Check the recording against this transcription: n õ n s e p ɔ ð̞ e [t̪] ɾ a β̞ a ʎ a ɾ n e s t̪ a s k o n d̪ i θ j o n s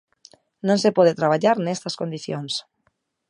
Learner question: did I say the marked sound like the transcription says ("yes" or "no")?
yes